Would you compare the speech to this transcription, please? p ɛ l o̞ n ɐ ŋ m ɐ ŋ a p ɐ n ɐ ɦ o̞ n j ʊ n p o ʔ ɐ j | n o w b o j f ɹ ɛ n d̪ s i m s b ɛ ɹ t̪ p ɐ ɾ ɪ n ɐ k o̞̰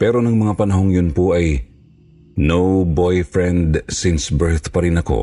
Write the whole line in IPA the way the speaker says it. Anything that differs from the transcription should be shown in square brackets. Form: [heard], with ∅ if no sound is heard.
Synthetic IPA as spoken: p ɛ [ɾ] o̞ n ɐ ŋ m ɐ ŋ a p ɐ n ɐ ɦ o̞ [ŋ] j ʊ n p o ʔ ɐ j | n o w b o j f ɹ ɛ n d̪ s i [n] s b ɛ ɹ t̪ p ɐ ɾ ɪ n ɐ k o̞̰